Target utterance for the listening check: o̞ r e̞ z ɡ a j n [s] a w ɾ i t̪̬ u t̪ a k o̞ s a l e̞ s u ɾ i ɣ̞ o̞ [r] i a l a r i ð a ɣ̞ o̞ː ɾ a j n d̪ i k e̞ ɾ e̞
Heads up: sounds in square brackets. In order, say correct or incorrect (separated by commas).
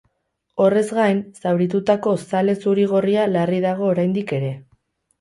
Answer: correct, correct